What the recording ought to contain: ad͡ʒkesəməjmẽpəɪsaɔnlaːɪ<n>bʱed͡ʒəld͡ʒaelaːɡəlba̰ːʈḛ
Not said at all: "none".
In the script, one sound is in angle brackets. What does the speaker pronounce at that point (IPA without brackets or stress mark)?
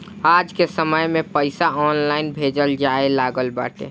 n